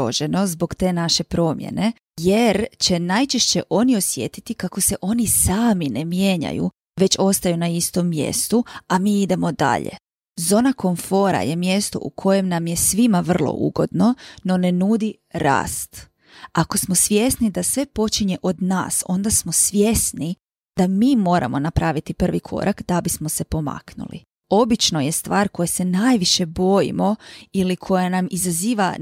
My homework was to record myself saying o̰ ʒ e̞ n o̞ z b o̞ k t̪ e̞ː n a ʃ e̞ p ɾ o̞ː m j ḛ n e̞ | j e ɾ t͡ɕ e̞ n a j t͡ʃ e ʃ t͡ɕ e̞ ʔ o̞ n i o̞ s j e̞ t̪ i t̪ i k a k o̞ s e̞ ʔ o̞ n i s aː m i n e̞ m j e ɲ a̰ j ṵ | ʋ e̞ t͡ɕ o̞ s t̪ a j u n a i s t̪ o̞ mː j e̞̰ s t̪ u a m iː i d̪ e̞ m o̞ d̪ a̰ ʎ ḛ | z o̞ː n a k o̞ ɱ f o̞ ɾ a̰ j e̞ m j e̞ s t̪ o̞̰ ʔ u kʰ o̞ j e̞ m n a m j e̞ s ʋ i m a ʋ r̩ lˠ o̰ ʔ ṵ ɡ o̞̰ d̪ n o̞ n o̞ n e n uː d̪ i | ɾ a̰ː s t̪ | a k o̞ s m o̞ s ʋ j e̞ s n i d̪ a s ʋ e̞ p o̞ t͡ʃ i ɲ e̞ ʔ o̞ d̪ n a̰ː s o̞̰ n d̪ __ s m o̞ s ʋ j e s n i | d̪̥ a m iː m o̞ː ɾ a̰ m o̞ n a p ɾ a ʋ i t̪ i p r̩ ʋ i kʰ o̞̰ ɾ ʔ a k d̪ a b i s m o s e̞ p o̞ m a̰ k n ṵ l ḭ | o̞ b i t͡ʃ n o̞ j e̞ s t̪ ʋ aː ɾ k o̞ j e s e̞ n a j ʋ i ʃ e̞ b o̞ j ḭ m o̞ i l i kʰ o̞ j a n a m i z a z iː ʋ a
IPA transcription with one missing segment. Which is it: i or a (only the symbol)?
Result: a